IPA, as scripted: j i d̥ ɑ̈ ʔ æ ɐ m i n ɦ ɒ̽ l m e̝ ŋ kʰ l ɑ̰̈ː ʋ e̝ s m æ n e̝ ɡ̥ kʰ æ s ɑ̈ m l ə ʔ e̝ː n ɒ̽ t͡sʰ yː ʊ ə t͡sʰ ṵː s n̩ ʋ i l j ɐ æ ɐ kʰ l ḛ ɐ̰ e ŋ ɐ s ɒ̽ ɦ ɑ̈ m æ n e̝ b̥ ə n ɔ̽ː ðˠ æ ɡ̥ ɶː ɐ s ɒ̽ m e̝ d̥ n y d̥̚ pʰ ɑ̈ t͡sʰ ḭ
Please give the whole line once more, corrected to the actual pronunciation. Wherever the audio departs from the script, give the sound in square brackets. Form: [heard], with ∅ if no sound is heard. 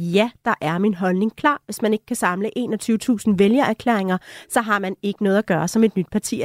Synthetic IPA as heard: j [æ] d̥ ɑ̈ ʔ æ ɐ m i n ɦ ɒ̽ l [n] e̝ ŋ kʰ l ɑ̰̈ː ʋ e̝ s m æ n e̝ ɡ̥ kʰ æ s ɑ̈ m l ə ʔ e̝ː n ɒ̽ t͡sʰ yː ʊ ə t͡sʰ ṵː s n̩ ʋ [e] l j ɐ æ ɐ kʰ l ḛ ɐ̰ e ŋ ɐ s ɒ̽ ɦ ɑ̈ m æ n e̝ [ɡ̥] ə n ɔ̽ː ðˠ æ ɡ̥ ɶː ɐ s ɒ̽ m e̝ d̥ n y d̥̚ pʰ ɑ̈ t͡sʰ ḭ